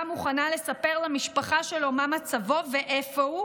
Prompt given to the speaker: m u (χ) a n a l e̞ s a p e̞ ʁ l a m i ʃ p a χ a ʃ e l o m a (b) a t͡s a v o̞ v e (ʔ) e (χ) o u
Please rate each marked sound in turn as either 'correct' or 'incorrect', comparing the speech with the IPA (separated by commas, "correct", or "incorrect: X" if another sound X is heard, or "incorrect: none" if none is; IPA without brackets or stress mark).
correct, incorrect: m, correct, incorrect: f